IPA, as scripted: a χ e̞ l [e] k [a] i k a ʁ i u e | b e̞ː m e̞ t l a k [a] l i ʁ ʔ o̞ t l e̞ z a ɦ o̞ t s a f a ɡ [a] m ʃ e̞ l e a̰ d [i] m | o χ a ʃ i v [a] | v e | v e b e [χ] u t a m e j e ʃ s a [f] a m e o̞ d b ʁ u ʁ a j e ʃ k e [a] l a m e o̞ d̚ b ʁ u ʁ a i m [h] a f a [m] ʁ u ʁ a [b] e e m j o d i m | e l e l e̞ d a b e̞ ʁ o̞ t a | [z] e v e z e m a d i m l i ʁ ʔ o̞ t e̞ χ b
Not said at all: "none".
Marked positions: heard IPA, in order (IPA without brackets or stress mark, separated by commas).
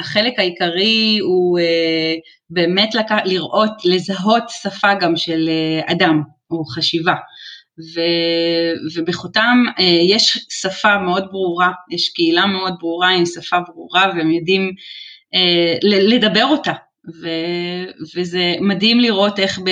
e, a, a, a, a, a, χ, f, i, s, b, v, v